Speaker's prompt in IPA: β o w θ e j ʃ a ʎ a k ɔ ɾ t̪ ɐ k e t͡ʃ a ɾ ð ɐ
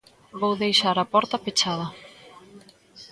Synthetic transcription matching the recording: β o w ð e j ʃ a ɾ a p ɔ ɾ t̪ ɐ p e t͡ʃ a ð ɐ